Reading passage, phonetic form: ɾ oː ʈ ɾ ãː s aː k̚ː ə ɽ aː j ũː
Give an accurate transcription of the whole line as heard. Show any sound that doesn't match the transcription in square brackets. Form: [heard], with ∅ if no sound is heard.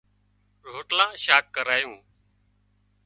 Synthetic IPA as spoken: ɾ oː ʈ [l] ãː [ʃ] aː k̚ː ə [ɾ] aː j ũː